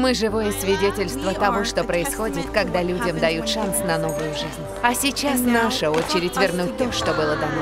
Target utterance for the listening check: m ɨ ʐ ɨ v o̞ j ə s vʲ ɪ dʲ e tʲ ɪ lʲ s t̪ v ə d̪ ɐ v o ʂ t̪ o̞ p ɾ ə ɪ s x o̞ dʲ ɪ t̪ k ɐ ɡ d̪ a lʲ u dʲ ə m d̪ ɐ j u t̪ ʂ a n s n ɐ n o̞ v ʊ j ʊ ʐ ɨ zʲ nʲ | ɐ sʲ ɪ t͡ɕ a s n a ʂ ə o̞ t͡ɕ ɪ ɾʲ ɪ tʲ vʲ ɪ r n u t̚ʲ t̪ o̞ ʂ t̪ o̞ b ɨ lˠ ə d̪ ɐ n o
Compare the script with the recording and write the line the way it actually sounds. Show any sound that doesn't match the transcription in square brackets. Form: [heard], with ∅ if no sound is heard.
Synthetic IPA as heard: m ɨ ʐ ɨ v o̞ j ə s vʲ ɪ dʲ e tʲ ɪ lʲ s t̪ v ə [t̪] ɐ v o ʂ t̪ o̞ p ɾ ə ɪ s x o̞ dʲ ɪ t̪ k ɐ ɡ d̪ a lʲ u dʲ ə m d̪ ɐ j u t̪ ʂ a n s n ɐ n o̞ v ʊ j ʊ ʐ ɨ zʲ nʲ | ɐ sʲ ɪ t͡ɕ a s n a ʂ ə o̞ t͡ɕ ɪ ɾʲ ɪ tʲ vʲ ɪ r n u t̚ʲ t̪ o̞ ʂ t̪ o̞ b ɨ lˠ ə d̪ ɐ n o